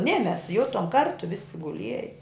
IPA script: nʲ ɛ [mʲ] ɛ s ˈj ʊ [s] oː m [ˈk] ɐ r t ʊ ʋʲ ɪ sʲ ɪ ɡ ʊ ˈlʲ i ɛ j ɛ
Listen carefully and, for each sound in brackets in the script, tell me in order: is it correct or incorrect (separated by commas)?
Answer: correct, incorrect, correct